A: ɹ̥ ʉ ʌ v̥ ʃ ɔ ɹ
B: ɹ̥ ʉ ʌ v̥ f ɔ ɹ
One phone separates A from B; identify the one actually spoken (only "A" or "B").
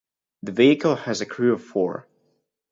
B